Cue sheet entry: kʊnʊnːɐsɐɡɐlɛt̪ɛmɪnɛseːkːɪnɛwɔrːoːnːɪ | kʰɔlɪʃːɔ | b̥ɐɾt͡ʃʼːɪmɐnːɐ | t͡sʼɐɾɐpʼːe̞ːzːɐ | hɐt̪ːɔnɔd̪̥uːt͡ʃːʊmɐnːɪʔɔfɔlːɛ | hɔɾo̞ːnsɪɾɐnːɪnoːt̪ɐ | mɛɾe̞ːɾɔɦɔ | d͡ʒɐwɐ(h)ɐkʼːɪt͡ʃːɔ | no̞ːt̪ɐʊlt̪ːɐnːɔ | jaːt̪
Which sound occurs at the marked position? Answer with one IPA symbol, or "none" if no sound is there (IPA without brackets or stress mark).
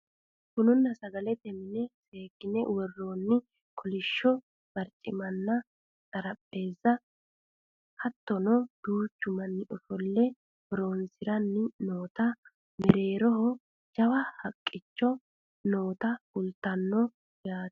h